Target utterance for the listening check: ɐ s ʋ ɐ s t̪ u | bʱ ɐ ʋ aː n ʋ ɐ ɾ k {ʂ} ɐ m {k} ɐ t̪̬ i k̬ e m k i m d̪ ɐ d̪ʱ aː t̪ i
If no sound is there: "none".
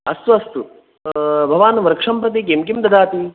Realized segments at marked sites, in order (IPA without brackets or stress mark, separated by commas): ʂ, p